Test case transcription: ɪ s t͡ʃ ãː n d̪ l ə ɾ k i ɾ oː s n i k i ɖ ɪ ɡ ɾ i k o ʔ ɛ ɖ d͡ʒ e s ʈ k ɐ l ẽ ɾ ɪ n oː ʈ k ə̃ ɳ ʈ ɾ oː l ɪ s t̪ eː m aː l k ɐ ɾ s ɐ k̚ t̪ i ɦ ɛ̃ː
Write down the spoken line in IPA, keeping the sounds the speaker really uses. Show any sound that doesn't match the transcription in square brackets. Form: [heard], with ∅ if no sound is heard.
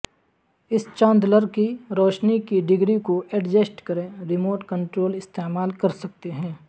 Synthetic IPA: ɪ s t͡ʃ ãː n d̪ l ə ɾ k i ɾ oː [ʃ] n i k i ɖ ɪ ɡ ɾ i k o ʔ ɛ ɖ d͡ʒ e s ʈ k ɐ [ɾ] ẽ ɾ ɪ [m] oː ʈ k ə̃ ɳ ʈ ɾ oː l ɪ s t̪ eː m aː l k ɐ ɾ s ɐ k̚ t̪ [e] ɦ ɛ̃ː